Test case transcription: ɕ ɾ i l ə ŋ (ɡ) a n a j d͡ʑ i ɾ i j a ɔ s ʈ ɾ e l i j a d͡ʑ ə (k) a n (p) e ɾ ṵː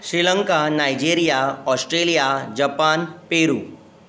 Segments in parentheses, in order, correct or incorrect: incorrect: k, incorrect: p, correct

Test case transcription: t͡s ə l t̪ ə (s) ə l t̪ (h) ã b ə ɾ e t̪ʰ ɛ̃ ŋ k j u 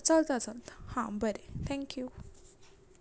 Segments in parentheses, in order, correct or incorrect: incorrect: t͡s, correct

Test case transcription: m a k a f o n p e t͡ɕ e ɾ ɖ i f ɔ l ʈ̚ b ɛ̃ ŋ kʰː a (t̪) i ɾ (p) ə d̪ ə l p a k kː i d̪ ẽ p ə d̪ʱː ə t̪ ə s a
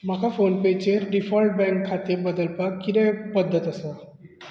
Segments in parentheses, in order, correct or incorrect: correct, incorrect: b

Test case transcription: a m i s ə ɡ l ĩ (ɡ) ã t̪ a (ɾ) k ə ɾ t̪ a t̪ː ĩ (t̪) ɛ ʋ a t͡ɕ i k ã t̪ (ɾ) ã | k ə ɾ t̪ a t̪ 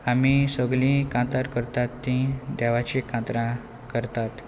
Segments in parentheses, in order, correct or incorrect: incorrect: k, correct, incorrect: d̪, correct

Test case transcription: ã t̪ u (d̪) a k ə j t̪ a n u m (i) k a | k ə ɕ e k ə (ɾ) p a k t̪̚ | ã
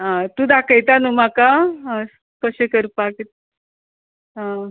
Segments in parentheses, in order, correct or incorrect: correct, incorrect: a, correct

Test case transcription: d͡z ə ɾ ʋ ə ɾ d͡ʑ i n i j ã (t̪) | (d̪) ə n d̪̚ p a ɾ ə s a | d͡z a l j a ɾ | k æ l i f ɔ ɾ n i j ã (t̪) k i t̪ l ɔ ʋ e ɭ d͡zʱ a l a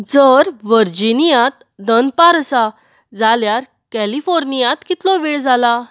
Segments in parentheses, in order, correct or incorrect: correct, correct, correct

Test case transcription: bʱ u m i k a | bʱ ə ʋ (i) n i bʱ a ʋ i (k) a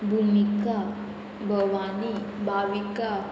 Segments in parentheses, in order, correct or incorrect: incorrect: a, correct

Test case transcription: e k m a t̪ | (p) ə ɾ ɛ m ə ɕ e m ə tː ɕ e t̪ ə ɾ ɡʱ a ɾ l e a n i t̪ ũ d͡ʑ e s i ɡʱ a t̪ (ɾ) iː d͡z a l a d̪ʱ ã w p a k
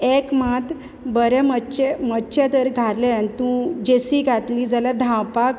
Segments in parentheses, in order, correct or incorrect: incorrect: b, incorrect: l

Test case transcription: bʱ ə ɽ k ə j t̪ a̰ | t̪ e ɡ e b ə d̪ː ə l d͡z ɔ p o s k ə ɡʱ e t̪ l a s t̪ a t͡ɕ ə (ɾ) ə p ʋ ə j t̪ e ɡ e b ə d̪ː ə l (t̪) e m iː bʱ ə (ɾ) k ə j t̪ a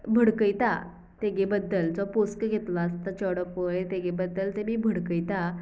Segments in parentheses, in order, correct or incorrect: incorrect: ɽ, correct, incorrect: ɽ

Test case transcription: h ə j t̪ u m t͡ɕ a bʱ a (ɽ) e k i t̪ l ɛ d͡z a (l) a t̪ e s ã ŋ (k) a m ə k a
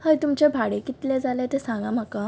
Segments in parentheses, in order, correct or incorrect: correct, correct, incorrect: ɡ

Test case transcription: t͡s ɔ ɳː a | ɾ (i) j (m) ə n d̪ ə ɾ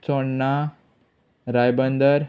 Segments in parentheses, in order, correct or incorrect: incorrect: a, incorrect: b

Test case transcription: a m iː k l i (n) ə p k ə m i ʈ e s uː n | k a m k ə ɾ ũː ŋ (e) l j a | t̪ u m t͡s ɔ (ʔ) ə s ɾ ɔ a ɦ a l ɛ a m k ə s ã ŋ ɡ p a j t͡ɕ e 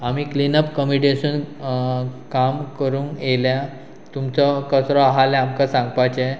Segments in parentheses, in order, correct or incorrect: correct, correct, incorrect: k

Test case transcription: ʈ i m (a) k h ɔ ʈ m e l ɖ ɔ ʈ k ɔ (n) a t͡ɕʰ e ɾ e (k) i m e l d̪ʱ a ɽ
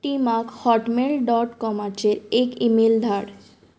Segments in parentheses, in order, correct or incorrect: correct, incorrect: m, correct

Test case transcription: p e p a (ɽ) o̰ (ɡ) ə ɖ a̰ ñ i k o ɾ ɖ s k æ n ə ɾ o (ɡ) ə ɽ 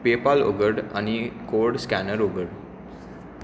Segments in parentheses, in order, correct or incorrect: incorrect: l, correct, correct

